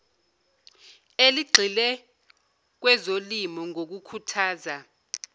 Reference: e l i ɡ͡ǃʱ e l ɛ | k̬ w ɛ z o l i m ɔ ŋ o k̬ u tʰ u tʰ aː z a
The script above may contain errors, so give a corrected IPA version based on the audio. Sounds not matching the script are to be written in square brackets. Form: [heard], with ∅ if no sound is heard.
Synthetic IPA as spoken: e l i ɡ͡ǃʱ [i] l ɛ | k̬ w ɛ z o l i m ɔ ŋ o k̬ u [kʰ] u tʰ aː z a